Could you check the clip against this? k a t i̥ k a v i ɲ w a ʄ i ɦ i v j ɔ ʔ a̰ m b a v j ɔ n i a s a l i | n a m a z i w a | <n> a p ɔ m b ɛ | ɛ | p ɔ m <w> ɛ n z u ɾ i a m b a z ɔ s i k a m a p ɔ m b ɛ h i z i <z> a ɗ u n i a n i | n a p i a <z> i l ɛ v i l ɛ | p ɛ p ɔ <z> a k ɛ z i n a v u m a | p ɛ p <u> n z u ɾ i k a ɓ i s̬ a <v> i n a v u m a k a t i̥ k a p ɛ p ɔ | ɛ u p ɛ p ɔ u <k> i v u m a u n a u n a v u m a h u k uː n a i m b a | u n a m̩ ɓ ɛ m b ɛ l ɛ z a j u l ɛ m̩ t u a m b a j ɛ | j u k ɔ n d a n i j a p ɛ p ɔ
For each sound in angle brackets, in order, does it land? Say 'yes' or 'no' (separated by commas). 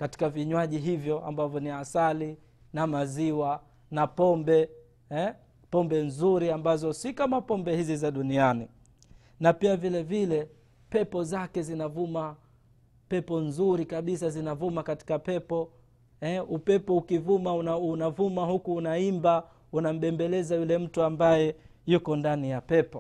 yes, no, yes, no, yes, no, no, yes